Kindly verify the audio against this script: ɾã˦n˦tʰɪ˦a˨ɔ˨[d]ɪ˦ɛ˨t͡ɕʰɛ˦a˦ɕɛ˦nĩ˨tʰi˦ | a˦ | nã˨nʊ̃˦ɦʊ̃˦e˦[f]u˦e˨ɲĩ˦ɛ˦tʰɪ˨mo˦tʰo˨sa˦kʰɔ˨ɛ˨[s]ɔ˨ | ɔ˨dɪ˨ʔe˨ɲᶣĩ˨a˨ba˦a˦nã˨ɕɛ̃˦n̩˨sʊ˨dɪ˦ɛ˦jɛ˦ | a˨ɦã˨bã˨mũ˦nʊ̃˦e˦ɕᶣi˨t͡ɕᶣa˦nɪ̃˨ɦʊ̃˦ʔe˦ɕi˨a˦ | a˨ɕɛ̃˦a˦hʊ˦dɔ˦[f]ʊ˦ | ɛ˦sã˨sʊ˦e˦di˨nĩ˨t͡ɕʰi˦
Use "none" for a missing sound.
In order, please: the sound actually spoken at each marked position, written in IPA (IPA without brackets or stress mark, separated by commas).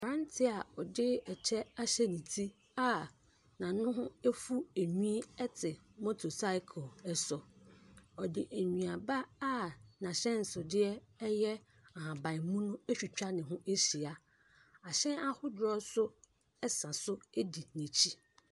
d, f, s, s